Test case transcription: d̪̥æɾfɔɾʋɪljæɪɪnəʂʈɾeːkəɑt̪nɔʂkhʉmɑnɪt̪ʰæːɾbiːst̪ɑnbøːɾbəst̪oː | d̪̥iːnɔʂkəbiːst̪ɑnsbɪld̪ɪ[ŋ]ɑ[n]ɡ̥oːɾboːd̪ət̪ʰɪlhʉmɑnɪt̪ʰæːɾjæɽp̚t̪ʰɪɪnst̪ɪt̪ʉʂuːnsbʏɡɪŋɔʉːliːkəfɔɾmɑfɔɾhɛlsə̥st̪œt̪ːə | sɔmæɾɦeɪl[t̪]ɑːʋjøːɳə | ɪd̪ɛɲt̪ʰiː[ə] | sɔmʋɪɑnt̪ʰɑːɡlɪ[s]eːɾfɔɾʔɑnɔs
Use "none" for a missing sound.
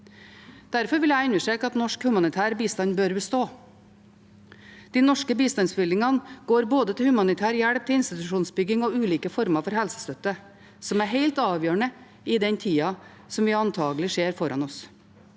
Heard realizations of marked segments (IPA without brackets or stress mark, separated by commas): ŋ, n, t̪, ɑ, ʂ